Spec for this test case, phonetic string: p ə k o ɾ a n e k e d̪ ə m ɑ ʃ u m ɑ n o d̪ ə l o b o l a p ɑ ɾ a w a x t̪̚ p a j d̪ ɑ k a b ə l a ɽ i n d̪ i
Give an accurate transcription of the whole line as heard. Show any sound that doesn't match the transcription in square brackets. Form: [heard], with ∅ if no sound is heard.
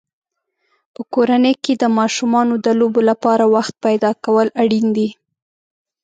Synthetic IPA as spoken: p ə k o ɾ a n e k e d̪ ə m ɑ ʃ u m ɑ n o d̪ ə l o b o l a p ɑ ɾ a w a x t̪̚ p a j d̪ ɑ k a [w] ə l a ɽ i n d̪ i